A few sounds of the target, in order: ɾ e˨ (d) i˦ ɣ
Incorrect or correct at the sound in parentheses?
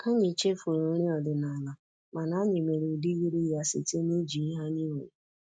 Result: correct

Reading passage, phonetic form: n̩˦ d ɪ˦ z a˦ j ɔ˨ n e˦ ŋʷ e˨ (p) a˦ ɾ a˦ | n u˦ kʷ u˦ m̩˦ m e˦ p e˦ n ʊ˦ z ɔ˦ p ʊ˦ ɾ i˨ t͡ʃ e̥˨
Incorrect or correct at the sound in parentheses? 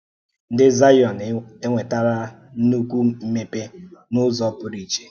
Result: incorrect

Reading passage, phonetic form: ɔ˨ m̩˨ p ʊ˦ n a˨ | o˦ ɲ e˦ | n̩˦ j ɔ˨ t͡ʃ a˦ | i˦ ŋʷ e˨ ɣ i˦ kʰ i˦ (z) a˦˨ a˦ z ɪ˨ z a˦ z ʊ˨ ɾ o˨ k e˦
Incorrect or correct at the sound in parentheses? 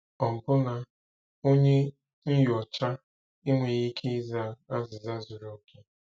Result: correct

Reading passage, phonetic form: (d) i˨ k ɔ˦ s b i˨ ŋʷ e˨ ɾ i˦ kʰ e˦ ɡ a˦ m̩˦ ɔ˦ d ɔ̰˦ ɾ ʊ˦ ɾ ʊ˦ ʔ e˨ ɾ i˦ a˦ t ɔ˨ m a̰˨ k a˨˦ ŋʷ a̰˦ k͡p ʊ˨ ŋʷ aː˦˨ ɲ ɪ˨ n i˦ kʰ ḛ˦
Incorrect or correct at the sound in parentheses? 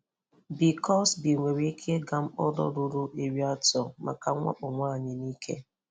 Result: incorrect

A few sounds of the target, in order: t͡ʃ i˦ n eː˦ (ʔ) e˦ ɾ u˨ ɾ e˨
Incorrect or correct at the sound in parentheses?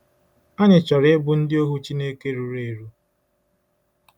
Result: incorrect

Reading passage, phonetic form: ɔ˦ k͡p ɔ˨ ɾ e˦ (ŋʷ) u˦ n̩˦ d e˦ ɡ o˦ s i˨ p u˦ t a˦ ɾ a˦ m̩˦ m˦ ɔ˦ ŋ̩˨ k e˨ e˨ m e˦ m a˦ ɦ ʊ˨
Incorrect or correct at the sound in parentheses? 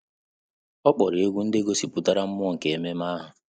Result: incorrect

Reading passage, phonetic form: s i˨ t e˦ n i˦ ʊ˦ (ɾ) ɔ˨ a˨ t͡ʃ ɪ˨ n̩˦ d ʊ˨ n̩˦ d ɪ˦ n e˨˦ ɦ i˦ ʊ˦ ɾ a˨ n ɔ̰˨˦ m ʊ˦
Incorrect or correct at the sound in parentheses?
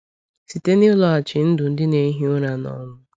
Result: incorrect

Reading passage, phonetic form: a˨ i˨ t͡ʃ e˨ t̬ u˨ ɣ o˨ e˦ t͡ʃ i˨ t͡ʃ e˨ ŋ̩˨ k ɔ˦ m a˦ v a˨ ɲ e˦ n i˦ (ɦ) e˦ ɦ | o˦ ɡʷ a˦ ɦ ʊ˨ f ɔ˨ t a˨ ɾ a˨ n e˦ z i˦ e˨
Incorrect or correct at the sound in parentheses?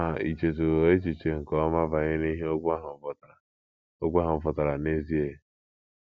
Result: correct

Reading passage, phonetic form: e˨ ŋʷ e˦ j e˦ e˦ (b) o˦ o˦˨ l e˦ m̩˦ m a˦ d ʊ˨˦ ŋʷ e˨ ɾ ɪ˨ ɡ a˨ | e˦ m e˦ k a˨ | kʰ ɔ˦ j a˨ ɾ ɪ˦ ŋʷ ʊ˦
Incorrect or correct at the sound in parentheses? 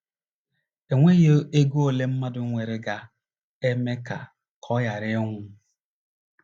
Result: incorrect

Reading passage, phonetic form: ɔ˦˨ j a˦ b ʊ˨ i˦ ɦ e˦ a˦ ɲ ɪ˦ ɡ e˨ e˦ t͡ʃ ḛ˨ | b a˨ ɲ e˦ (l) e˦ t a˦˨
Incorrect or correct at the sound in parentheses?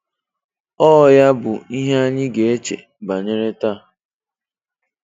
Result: incorrect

